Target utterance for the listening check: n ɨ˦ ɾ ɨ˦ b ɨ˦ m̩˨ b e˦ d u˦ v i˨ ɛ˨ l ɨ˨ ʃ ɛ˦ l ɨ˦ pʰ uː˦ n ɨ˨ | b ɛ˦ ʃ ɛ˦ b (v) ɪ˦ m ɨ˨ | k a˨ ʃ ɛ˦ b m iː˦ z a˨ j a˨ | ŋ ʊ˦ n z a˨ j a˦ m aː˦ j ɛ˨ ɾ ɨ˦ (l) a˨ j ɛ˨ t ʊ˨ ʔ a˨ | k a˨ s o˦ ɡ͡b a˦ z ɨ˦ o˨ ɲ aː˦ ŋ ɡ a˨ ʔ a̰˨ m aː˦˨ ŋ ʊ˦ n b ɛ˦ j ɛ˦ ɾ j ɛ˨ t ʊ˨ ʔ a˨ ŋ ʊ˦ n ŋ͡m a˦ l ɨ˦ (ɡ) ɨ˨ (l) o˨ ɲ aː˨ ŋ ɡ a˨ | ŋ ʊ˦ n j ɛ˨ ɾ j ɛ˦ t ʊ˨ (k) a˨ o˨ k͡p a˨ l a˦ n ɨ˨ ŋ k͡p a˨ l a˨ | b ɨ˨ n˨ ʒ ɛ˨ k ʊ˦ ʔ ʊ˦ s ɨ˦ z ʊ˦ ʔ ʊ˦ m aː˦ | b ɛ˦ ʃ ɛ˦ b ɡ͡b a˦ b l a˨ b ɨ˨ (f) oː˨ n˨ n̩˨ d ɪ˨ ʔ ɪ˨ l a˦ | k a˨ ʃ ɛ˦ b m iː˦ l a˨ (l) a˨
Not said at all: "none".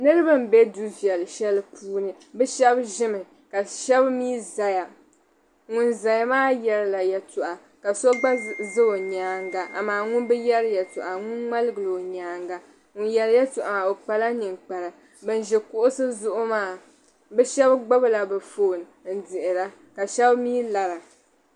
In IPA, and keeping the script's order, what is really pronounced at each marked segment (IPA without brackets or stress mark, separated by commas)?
ʒ, l, ɡ, l, ʔ, f, ɾ